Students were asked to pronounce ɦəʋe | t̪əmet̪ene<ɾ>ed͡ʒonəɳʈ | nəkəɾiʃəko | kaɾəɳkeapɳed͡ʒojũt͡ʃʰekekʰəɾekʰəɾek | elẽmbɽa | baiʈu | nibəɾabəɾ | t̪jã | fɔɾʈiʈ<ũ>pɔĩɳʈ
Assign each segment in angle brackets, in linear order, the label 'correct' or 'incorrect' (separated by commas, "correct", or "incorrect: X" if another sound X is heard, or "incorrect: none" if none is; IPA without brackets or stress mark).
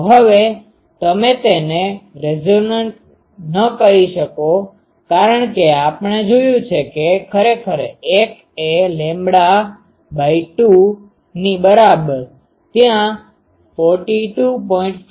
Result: correct, incorrect: u